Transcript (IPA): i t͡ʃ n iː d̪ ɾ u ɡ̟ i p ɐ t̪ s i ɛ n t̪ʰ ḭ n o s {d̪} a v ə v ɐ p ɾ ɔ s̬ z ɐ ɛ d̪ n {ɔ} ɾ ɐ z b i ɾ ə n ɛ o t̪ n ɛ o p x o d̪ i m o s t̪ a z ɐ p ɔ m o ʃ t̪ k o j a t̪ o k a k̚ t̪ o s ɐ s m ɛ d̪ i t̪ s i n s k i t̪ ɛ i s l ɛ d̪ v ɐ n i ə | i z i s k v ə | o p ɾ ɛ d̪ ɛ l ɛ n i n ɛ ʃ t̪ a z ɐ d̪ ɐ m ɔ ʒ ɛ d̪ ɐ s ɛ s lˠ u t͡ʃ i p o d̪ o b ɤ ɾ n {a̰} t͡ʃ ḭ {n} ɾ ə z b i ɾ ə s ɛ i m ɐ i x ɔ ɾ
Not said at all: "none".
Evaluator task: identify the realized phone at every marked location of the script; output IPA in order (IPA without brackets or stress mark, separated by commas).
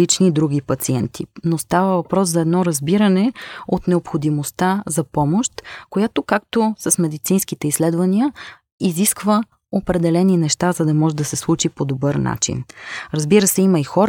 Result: t̪, ɔ, a̰, n